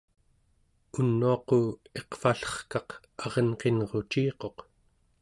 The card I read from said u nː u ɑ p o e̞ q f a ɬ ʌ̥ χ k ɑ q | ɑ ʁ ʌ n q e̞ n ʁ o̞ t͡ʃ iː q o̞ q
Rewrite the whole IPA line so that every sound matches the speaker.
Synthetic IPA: u nː u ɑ q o e̞ q f a ɬ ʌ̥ χ k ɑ q | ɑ ʁ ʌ n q e̞ n ʁ o̞ t͡ʃ iː q o̞ q